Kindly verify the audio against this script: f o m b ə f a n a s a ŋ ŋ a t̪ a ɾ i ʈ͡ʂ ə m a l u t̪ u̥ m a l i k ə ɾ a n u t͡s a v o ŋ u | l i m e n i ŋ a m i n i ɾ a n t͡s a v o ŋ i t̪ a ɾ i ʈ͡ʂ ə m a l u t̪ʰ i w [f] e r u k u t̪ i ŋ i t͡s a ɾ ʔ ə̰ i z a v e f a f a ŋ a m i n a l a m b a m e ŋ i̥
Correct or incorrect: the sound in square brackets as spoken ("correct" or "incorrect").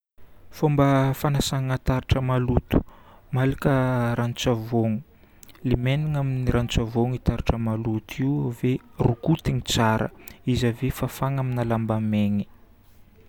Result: incorrect